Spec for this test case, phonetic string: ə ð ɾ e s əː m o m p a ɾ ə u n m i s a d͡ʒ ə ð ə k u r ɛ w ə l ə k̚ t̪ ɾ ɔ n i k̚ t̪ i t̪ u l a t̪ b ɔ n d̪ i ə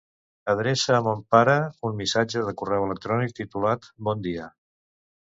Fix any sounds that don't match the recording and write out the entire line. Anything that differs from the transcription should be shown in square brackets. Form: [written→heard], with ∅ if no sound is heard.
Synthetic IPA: ə ð ɾ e s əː m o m p a ɾ ə u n m i s a d͡ʒ ə ð ə k u r ɛ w ə l ə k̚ t̪ ɾ ɔ n i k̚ t̪ i t̪ u l a t̪ b ɔ n d̪ i ə